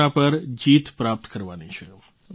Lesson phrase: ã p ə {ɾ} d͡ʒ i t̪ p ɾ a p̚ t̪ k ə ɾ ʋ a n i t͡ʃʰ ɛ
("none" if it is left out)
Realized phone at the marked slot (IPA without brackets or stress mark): ɾ